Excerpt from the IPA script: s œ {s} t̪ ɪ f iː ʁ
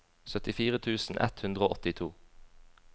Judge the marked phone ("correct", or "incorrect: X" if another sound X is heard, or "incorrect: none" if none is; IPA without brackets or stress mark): incorrect: none